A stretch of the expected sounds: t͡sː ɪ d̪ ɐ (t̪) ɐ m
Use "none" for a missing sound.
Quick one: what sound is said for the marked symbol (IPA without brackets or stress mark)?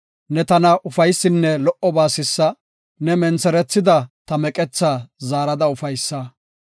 t̪